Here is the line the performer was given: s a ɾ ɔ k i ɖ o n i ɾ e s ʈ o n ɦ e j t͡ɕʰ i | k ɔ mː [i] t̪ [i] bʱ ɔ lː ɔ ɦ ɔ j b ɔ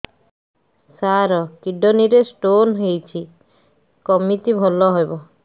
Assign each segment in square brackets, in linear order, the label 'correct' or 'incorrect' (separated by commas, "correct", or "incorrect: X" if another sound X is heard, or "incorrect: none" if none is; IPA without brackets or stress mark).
correct, correct